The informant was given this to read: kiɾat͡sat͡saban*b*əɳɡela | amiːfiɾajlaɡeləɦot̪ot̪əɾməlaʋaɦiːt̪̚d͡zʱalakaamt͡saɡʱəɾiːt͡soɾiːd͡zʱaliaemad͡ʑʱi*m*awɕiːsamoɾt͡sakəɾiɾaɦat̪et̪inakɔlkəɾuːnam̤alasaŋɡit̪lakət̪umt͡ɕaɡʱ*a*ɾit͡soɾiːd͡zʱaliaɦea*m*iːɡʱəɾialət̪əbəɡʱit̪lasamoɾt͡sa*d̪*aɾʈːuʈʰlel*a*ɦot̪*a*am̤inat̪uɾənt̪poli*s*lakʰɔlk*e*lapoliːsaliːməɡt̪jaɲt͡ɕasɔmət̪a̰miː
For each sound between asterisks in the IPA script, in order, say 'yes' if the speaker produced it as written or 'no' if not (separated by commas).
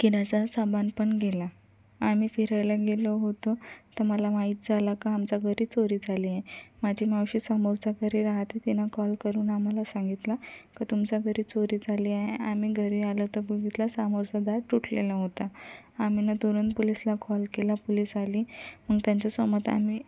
no, yes, no, yes, yes, yes, yes, yes, yes